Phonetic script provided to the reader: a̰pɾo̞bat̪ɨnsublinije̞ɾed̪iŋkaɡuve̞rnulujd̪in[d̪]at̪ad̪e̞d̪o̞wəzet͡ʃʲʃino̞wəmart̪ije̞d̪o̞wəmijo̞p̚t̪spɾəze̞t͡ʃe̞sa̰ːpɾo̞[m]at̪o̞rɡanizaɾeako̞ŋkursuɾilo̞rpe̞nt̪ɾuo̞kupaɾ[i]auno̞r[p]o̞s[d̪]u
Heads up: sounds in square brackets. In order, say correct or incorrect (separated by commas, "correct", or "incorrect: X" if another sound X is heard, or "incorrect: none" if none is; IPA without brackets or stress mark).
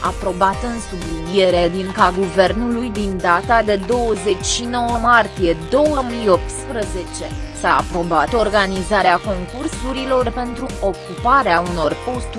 correct, incorrect: b, incorrect: e, correct, incorrect: t̪